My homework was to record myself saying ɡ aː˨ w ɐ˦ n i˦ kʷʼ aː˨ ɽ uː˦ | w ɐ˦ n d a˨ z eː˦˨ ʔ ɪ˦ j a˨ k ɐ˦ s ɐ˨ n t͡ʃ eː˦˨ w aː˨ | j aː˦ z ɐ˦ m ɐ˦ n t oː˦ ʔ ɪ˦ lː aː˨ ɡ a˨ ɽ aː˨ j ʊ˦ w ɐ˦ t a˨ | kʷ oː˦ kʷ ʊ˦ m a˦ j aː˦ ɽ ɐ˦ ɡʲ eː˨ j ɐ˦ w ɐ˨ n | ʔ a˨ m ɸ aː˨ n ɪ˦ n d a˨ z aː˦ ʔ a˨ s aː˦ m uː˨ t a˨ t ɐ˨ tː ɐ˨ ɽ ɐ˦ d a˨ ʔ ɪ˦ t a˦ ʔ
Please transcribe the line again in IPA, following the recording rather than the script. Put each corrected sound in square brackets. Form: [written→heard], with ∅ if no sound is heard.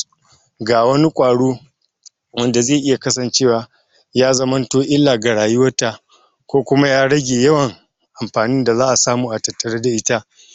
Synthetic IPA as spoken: ɡ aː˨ w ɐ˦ n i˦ kʷʼ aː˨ ɽ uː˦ | w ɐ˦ n d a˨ z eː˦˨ ʔ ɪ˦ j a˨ k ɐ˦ s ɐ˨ n t͡ʃ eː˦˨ w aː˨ | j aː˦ z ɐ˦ m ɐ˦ n t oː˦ ʔ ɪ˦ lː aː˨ ɡ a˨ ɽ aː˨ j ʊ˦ w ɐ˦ t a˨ | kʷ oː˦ kʷ ʊ˦ m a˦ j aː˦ ɽ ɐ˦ ɡʲ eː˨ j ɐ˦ w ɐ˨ [n→ŋ] | ʔ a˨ m ɸ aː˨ n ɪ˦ n d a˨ z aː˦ ʔ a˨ s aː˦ m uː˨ [t→ʔ] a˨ t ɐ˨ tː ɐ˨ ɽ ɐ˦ d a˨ ʔ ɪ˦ t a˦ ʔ